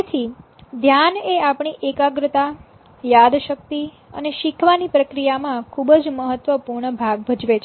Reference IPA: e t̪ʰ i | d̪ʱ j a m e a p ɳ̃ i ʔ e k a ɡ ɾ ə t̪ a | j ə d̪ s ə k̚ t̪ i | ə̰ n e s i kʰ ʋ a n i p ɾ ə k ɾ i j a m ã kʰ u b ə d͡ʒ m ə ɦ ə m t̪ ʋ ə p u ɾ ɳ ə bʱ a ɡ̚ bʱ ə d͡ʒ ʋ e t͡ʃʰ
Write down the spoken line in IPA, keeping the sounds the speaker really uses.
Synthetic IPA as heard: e t̪ʰ i | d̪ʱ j a n e a p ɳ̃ i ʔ e k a ɡ ɾ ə t̪ a | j a d̪ ʃ ə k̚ t̪ i | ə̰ n e ʃ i kʰ ʋ a n i p ɾ ə k ɾ i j a m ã kʰ u b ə d͡ʒ m ə ɦ ə t̪ ʋ ə p u ɾ ɳ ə bʱ a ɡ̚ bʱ ə d͡ʒ ʋ e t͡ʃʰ